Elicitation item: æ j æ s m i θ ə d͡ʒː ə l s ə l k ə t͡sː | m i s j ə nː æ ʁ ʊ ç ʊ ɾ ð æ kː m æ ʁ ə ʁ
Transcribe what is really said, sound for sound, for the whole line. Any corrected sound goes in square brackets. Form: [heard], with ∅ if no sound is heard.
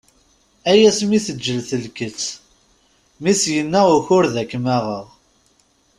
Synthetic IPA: æ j æ s m i θ ə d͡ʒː ə l [θ] ə l k ə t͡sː | m i s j ə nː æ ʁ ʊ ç ʊ ɾ ð æ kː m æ ʁ ə ʁ